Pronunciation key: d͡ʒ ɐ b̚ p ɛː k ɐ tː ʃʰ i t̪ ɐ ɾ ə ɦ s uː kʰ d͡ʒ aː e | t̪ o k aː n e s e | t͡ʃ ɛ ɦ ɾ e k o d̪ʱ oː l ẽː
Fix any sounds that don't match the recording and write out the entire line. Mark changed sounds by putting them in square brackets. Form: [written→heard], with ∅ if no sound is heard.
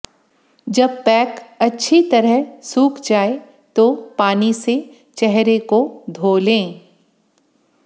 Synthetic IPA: d͡ʒ ɐ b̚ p ɛː k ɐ tː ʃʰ i t̪ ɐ ɾ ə ɦ s uː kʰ d͡ʒ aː e | t̪ o [k→p] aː n [e→i] s e | t͡ʃ ɛ ɦ ɾ e k o d̪ʱ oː l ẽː

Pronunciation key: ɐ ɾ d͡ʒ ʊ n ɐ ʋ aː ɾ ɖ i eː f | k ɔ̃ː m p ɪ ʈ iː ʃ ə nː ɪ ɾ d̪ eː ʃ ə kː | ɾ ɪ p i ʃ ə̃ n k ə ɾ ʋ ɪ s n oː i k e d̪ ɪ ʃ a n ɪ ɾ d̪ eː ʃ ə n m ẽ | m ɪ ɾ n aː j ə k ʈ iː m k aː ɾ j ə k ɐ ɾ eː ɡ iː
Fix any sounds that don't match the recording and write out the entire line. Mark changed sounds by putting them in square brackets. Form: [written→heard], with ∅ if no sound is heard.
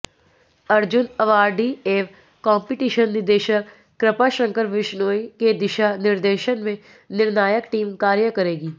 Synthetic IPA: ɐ ɾ d͡ʒ ʊ n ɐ ʋ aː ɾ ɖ i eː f | k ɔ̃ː m p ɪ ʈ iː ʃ ə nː ɪ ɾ d̪ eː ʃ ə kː | ɾ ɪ p [i→a] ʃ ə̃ [n→ŋ] k ə ɾ ʋ ɪ [s→ʃ] n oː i k e d̪ ɪ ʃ a n ɪ ɾ d̪ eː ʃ ə n m ẽ | [m→n] ɪ ɾ n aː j ə k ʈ iː m k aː ɾ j ə k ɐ ɾ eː ɡ iː

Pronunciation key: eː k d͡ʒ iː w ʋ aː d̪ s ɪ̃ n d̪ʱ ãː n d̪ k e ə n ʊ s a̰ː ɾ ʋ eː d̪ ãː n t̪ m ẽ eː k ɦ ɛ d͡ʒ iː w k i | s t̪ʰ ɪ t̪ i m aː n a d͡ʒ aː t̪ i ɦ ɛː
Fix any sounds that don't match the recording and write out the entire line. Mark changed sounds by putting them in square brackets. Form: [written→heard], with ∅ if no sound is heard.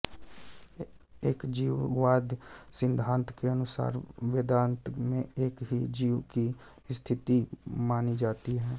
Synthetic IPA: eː k d͡ʒ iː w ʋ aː d̪ s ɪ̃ n d̪ʱ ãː n [d̪→t̪] k e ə n ʊ s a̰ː ɾ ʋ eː d̪ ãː n t̪ m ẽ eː k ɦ [ɛ→i] d͡ʒ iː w k i | s t̪ʰ ɪ t̪ i m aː n [a→i] d͡ʒ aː t̪ i ɦ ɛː

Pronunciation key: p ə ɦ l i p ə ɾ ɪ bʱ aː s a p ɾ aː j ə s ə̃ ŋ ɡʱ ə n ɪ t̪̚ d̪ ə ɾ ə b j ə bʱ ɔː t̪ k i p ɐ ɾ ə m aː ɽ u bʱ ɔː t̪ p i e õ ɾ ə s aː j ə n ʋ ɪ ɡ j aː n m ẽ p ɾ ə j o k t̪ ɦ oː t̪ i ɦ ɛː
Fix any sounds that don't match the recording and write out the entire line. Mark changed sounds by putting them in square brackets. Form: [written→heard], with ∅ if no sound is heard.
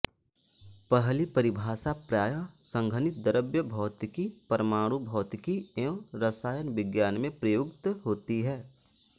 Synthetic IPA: p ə ɦ l i p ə ɾ ɪ bʱ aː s a p ɾ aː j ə s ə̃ ŋ ɡʱ ə n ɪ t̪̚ d̪ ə ɾ ə b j ə bʱ ɔː t̪ k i p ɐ ɾ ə m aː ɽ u bʱ ɔː t̪ [p→k] i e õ ɾ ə s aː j ə n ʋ ɪ ɡ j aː n m ẽ p ɾ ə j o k t̪ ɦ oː t̪ i ɦ ɛː

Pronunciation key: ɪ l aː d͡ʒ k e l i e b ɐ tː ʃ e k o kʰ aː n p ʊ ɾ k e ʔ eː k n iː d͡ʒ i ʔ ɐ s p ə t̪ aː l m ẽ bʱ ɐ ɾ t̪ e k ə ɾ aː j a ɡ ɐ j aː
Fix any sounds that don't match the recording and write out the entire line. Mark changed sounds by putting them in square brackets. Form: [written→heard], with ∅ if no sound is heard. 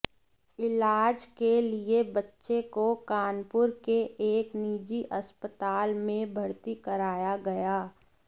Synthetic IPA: ɪ l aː d͡ʒ k e l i e b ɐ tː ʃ e k o [kʰ→k] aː n p ʊ ɾ k e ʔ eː k n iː d͡ʒ i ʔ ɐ s p ə t̪ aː l m ẽ bʱ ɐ ɾ t̪ [e→i] k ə ɾ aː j a ɡ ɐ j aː

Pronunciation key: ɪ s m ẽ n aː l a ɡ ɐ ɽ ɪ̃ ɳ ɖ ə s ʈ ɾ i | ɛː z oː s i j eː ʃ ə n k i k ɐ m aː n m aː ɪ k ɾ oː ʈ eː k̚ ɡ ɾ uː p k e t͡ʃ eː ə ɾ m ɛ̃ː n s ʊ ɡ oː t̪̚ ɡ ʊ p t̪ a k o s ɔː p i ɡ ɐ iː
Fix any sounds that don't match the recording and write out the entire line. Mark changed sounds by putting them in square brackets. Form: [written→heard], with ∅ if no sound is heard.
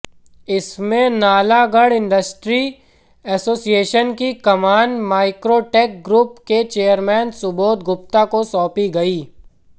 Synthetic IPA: ɪ s m ẽ n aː l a ɡ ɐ ɽ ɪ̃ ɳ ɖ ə s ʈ ɾ i | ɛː [z→s] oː s i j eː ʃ ə n k i k ɐ m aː n m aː ɪ k ɾ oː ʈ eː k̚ ɡ ɾ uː p k e t͡ʃ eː ə ɾ m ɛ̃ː n s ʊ [ɡ→b] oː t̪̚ ɡ ʊ p t̪ a k o s ɔː p i ɡ ɐ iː

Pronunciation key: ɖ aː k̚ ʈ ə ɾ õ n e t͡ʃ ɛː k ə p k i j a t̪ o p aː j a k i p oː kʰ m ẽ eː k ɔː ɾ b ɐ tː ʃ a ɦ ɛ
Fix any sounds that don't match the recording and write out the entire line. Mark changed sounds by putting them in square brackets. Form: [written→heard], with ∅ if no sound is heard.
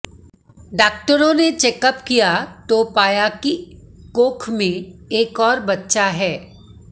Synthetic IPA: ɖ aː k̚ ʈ ə ɾ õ n e t͡ʃ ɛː k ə p k i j a t̪ o p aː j a k i [p→k] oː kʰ m ẽ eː k ɔː ɾ b ɐ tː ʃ a ɦ [ɛ→ɛː]

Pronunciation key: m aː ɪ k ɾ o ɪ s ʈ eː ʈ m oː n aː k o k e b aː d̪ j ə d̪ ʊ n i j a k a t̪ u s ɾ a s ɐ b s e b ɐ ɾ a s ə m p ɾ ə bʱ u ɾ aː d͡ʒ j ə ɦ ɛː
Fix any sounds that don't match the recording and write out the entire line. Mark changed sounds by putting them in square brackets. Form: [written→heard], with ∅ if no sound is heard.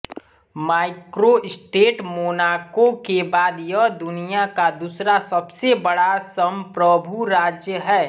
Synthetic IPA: m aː ɪ k ɾ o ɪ s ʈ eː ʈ m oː n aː k o k e b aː d̪ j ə d̪ ʊ n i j a k a [t̪→d̪] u s ɾ a s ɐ b s e b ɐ [ɾ→ɽ] a s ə m p ɾ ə bʱ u ɾ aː d͡ʒ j ə ɦ ɛː

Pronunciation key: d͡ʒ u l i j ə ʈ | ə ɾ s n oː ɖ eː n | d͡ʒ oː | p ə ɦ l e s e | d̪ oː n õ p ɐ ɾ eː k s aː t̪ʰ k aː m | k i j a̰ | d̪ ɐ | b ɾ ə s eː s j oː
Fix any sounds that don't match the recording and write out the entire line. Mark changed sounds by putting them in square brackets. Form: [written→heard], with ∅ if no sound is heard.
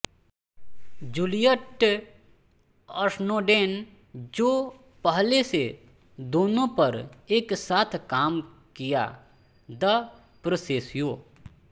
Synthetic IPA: d͡ʒ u l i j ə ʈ | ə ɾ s n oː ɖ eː n | d͡ʒ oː | p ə ɦ l e s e | d̪ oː n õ p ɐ ɾ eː k s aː t̪ʰ k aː m | k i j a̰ | d̪ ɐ | [b→p] ɾ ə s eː s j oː

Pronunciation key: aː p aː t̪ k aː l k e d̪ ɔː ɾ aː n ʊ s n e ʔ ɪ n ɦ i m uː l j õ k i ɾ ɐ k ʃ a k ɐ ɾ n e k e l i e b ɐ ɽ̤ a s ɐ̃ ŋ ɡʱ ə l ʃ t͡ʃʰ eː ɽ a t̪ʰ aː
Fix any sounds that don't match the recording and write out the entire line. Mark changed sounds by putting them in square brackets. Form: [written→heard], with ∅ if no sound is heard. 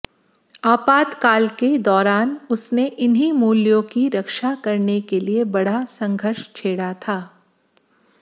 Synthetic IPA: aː p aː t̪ k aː l k e d̪ ɔː ɾ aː n ʊ s n e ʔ ɪ n ɦ i m uː l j õ k i ɾ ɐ k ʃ a k ɐ ɾ n e k e l i e b ɐ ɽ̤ a s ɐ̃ ŋ ɡʱ ə [l→ɾ] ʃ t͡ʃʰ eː ɽ a t̪ʰ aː

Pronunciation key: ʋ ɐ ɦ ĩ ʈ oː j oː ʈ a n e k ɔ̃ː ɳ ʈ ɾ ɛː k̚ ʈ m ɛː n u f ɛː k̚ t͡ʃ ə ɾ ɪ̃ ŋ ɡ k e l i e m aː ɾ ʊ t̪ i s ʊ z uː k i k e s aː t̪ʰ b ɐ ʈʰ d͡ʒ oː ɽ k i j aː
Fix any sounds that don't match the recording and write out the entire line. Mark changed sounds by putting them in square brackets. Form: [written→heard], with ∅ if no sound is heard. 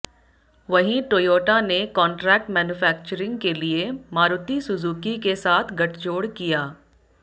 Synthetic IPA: ʋ ɐ ɦ ĩ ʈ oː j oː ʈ a n e k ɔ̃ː ɳ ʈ ɾ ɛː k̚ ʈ m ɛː n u f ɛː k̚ t͡ʃ ə ɾ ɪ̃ ŋ ɡ k e l i e m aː ɾ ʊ t̪ i s ʊ z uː k i k e s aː t̪ʰ [b→ɡ] ɐ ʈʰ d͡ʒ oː ɽ k i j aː

